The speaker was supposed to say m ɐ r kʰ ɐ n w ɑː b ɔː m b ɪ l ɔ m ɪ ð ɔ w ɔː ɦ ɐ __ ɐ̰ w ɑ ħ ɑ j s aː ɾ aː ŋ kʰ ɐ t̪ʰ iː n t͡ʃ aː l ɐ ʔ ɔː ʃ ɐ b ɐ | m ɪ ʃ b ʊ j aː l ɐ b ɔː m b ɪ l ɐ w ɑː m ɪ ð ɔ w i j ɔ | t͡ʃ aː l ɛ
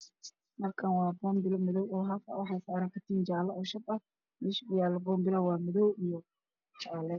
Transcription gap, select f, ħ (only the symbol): f